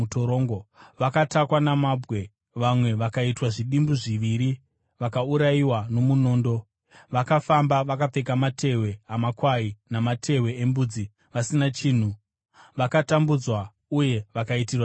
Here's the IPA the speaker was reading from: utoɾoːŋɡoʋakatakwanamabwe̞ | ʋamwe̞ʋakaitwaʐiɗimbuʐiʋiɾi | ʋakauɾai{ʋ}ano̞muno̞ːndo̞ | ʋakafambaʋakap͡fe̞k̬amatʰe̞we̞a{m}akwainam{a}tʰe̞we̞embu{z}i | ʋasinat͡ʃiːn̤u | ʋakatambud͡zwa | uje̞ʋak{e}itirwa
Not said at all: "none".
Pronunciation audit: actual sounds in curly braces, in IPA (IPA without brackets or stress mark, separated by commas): w, m, a, d͡z, a